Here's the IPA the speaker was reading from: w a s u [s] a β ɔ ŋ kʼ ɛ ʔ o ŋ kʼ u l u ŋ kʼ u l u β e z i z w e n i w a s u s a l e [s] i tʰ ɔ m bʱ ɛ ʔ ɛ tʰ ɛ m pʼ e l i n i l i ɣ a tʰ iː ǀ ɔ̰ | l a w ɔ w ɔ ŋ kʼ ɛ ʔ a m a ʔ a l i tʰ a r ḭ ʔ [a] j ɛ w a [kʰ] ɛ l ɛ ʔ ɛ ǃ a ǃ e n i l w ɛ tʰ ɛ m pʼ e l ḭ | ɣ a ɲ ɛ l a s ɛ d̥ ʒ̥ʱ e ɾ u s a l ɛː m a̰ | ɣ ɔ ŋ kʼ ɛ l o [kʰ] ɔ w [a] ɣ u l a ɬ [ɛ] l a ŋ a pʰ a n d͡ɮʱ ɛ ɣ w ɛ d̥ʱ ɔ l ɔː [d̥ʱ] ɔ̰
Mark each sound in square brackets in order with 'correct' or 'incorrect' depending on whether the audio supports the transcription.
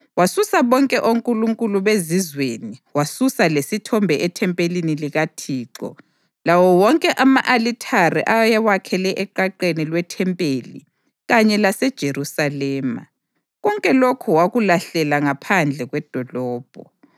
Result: correct, correct, correct, correct, correct, correct, correct, incorrect: b̥ʱ

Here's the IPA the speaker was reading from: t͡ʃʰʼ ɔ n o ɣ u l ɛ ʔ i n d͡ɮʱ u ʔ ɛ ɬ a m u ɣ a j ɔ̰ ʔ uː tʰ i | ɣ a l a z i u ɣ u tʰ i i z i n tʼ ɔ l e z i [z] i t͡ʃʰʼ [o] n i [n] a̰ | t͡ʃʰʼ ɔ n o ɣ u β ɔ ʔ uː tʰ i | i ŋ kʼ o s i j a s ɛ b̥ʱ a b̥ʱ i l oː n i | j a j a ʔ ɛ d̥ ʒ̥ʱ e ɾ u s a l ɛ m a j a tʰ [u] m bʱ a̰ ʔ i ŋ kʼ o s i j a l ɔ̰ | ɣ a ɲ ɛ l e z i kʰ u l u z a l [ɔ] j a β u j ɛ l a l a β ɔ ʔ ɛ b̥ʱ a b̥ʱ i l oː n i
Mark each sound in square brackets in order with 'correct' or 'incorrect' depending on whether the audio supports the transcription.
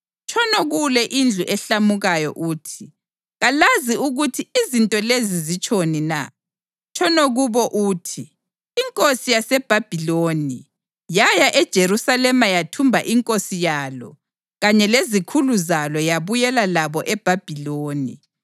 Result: correct, correct, correct, correct, correct

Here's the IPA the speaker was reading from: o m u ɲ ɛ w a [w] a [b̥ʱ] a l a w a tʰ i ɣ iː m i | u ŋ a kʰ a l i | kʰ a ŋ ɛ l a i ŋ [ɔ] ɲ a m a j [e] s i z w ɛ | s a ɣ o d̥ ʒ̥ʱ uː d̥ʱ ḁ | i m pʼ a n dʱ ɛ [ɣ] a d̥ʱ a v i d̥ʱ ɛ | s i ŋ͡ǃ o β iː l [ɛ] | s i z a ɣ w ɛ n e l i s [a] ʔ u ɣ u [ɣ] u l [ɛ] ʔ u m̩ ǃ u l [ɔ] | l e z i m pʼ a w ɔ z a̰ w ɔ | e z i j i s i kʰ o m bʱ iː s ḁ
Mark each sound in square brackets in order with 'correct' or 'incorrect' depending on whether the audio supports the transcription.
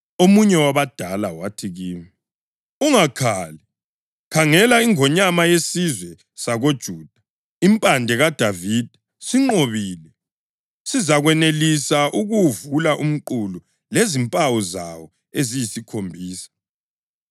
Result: incorrect: β, incorrect: d̥ʱ, correct, correct, correct, correct, correct, incorrect: v, incorrect: a, incorrect: u

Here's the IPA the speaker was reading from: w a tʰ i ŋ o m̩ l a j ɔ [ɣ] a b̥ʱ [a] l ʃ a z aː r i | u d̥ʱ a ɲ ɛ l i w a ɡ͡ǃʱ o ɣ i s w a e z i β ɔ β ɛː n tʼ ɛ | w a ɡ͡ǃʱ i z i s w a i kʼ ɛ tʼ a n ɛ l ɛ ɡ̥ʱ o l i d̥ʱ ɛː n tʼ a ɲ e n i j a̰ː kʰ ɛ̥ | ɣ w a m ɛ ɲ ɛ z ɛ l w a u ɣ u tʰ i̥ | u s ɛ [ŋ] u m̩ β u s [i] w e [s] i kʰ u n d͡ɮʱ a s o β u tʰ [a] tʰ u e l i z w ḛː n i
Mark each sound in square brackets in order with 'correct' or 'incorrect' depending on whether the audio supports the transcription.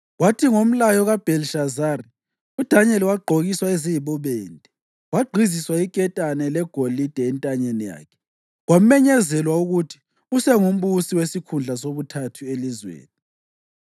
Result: correct, incorrect: ɛ, correct, correct, correct, correct

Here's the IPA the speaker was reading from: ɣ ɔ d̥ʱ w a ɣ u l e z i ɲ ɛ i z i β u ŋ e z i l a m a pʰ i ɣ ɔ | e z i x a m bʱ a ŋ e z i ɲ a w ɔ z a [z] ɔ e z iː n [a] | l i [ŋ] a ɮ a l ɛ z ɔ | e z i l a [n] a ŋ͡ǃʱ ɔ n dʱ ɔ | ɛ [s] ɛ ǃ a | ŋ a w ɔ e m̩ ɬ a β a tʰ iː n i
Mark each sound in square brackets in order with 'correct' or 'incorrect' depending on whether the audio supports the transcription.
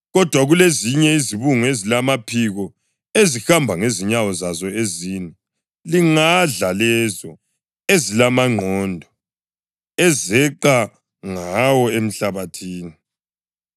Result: correct, incorrect: ɛ, correct, incorrect: m, incorrect: z

